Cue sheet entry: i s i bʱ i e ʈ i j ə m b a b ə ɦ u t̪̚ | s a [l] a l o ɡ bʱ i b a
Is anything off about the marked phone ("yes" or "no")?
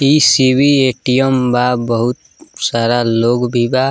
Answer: yes